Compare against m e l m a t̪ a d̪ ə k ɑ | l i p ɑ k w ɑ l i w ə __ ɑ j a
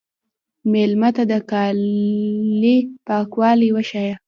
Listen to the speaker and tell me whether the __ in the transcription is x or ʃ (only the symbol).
ʃ